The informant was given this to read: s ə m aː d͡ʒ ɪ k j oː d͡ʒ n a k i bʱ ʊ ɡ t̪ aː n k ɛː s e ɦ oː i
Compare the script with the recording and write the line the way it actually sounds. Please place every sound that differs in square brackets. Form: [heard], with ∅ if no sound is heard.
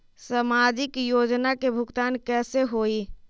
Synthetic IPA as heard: s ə m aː d͡ʒ ɪ k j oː d͡ʒ n a k [e] bʱ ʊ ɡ t̪ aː n k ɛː s e ɦ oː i